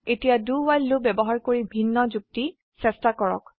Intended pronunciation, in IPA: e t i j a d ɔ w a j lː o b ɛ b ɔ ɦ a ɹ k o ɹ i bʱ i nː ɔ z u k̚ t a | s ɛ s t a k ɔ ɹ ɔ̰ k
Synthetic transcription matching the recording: e t i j a d u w a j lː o b ɛ b ɔ ɦ a ɹ k o ɹ i bʱ i nː ɔ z u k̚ t i | s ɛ s t a k ɔ ɹ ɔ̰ k